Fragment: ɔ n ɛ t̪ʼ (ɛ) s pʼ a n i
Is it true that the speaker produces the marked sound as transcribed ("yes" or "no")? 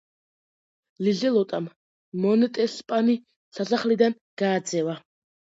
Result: yes